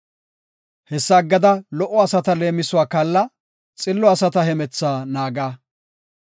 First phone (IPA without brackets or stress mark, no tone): h